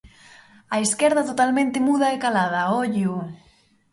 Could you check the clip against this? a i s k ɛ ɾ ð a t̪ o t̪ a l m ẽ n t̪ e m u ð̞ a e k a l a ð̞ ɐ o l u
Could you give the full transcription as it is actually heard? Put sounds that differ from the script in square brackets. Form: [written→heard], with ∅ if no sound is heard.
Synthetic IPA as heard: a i s k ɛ ɾ ð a t̪ o t̪ a l m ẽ n t̪ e m u ð̞ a e k a l a ð̞ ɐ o [l→ʎ] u